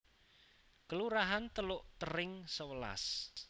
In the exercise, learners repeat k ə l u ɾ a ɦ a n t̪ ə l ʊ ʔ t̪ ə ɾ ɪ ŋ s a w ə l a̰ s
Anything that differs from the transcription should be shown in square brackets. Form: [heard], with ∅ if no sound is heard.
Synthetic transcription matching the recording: k ə l u ɾ a ɦ a n t̪ ə l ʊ ʔ t̪ ə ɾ ɪ ŋ s [ə] w ə l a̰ s